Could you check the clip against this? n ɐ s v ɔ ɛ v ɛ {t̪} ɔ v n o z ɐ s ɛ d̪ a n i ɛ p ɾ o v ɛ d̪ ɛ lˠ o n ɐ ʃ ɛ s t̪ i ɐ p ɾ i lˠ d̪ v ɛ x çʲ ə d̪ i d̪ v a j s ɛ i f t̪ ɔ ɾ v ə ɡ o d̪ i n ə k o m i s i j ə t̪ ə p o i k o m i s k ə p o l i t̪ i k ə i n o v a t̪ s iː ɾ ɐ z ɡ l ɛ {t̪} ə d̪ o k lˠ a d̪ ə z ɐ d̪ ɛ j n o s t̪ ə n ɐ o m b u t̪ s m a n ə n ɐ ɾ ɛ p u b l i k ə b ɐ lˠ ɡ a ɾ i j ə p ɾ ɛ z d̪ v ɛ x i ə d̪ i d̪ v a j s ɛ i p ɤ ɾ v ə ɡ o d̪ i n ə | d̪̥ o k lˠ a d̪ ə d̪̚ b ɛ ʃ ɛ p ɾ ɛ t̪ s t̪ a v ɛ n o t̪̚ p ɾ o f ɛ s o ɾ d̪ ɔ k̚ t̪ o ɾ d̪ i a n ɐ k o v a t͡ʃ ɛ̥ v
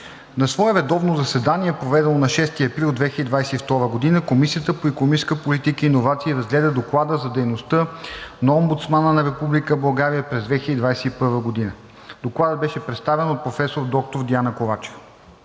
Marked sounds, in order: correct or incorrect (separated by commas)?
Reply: incorrect, incorrect